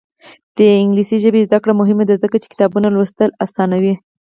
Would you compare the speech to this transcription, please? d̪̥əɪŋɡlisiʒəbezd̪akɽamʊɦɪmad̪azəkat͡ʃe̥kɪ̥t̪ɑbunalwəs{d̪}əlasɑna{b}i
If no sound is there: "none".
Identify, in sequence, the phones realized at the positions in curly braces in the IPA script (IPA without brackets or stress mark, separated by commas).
t̪, w